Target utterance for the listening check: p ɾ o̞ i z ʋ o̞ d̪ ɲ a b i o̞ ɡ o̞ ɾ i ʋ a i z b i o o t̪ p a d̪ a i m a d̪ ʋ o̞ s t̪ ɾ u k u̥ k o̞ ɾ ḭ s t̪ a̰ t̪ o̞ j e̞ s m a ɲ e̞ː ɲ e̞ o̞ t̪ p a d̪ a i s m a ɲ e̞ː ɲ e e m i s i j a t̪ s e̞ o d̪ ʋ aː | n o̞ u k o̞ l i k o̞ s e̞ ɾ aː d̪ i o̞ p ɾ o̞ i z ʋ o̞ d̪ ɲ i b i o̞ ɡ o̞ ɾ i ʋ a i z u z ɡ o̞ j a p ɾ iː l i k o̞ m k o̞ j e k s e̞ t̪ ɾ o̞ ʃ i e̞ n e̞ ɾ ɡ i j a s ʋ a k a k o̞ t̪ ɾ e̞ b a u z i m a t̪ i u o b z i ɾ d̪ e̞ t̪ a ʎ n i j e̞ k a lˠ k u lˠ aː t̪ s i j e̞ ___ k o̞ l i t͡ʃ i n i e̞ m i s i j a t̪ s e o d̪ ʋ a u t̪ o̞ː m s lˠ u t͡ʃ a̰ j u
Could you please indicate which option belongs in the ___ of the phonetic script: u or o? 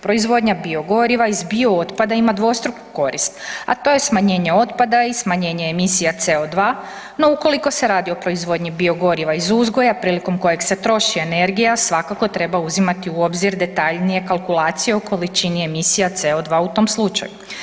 o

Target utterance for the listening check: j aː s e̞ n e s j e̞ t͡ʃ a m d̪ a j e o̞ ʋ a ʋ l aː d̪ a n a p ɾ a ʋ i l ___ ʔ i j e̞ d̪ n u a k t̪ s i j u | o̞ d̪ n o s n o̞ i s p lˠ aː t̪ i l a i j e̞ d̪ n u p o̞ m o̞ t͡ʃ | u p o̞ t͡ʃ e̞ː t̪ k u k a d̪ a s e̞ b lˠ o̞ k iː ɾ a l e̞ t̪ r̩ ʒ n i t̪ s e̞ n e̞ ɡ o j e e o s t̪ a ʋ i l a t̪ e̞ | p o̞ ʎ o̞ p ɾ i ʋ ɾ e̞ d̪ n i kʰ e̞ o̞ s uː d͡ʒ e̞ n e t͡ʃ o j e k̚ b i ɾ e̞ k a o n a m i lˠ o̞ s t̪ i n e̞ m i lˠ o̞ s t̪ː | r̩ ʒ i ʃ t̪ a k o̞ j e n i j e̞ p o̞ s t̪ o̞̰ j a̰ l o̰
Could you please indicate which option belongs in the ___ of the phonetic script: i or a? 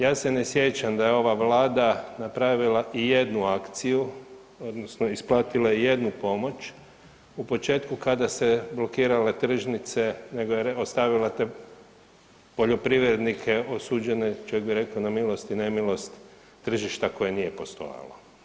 a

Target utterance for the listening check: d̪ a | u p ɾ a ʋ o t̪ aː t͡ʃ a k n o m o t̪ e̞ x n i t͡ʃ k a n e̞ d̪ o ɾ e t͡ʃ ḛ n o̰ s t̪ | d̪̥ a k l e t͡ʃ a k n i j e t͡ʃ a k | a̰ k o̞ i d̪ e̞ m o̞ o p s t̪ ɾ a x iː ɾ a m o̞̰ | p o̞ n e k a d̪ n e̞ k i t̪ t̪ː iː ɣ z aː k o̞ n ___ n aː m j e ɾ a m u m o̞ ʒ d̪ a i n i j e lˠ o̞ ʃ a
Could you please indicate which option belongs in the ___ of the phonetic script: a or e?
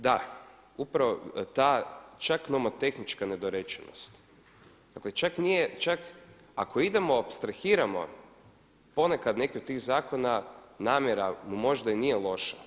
a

